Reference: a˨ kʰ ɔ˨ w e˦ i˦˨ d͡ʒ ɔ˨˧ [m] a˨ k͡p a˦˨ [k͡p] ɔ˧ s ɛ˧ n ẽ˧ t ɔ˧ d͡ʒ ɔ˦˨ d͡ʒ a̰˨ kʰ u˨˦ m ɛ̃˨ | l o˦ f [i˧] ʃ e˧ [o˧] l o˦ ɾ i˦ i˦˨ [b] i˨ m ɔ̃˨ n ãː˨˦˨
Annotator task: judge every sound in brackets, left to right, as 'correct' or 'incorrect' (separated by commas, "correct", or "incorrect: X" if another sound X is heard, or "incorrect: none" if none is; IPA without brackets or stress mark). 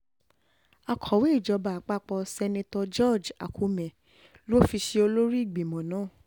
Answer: incorrect: b, correct, correct, correct, incorrect: ɡ͡b